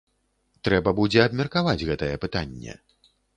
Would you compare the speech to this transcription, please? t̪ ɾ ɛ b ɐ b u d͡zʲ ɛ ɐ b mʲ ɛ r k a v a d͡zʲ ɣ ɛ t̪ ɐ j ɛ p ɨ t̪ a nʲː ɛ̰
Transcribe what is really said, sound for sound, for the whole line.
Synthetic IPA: t̪ ɾ ɛ b ɐ b u d͡zʲ ɛ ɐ b mʲ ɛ r k a v a d͡zʲ ɣ ɛ t̪ ɐ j ɛ p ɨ t̪ a nʲː ɛ̰